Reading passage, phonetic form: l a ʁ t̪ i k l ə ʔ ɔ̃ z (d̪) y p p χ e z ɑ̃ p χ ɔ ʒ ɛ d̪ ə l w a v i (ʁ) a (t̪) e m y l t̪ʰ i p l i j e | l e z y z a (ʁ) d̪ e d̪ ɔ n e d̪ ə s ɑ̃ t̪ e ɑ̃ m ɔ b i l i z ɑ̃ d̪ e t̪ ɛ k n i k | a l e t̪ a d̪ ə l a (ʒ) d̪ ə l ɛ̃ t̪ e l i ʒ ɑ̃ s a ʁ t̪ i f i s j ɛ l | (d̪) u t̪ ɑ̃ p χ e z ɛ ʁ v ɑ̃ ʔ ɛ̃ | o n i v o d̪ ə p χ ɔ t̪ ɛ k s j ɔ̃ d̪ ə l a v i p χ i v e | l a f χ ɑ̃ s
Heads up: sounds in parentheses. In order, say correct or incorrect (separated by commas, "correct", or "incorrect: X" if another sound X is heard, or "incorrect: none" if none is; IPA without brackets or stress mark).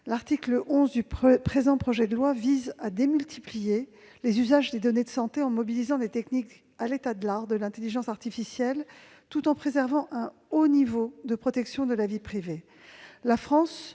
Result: correct, incorrect: z, incorrect: d̪, incorrect: ʒ, incorrect: ʁ, incorrect: t̪